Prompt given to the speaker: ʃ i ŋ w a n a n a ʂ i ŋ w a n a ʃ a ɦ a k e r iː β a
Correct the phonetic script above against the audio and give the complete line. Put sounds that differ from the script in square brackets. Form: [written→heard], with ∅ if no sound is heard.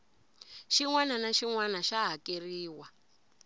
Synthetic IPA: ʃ i ŋ w a n a n a [ʂ→ʃ] i ŋ w a n a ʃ a ɦ a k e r iː [β→w] a